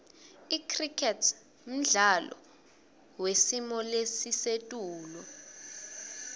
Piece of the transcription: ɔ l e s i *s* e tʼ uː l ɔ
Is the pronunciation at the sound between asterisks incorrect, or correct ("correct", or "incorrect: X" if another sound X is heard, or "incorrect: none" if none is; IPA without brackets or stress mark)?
correct